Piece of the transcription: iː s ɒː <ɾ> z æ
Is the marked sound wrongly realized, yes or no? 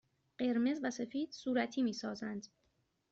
yes